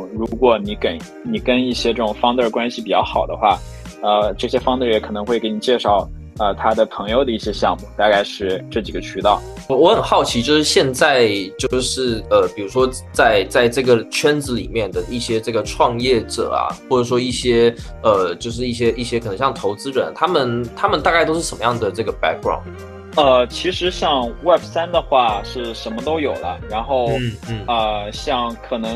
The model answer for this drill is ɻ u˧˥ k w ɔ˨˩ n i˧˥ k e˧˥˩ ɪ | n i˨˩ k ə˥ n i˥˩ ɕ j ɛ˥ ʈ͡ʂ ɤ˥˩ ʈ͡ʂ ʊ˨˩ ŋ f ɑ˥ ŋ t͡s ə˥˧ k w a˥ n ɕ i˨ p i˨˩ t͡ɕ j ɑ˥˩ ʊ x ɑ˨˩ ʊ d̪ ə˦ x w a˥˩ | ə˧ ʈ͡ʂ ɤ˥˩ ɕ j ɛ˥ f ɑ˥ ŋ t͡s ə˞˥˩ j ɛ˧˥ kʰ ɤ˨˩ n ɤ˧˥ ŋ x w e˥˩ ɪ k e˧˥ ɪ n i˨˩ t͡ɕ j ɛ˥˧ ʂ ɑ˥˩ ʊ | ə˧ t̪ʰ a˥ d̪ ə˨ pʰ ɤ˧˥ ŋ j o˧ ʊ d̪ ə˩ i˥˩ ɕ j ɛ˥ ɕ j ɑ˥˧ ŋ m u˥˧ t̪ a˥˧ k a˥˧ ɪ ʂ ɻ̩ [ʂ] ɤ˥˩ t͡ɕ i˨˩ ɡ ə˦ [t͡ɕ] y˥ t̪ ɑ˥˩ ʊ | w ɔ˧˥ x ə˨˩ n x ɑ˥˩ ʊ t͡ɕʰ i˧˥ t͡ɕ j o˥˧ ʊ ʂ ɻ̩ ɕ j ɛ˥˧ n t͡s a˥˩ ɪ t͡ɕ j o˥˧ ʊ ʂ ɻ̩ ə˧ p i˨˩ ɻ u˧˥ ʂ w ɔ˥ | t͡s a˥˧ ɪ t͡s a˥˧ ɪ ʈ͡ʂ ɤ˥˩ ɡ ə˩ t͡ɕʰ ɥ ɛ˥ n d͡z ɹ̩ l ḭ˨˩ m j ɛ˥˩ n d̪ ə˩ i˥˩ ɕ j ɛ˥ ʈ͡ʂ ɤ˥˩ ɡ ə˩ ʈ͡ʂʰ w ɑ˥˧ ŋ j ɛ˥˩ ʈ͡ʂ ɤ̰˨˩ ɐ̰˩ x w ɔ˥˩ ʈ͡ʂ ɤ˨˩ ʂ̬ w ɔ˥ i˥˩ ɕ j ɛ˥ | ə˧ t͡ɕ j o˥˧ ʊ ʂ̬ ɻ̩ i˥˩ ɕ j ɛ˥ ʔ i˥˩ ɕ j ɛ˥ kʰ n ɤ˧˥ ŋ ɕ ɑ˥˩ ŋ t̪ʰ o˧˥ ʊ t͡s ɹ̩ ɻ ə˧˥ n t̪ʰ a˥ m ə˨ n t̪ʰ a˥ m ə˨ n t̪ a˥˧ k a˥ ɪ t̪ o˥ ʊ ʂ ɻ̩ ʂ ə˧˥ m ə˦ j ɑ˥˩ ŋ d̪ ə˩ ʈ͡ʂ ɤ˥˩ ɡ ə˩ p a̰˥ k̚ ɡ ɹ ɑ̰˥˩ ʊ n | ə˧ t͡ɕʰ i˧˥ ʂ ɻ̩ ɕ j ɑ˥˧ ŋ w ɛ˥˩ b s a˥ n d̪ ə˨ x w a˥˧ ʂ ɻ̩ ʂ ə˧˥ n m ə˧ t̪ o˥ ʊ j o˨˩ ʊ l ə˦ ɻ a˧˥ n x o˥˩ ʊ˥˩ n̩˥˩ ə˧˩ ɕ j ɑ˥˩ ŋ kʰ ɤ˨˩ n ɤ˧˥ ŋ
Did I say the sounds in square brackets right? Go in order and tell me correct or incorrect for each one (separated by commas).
incorrect, incorrect